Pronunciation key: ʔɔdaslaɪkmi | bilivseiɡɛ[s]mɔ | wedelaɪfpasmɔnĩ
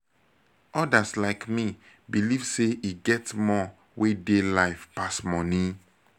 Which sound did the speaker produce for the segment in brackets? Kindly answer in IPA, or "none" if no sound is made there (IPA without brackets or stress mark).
t